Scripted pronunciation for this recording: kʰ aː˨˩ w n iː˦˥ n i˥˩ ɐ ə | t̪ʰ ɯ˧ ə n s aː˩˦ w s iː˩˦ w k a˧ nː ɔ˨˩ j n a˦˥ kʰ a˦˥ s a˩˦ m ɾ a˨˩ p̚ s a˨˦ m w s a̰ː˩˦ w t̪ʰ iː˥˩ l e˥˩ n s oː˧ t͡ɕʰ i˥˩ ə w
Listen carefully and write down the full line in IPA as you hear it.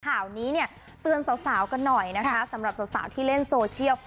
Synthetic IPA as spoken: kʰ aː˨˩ w n iː˦˥ n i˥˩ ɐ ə | t̪ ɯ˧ ə n s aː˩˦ w s aː˩˦ w k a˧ nː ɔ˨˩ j n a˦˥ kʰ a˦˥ s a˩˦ m ɾ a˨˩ p̚ s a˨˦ w s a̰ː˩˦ w t̪ʰ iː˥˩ l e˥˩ n s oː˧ t͡ɕʰ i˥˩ ə w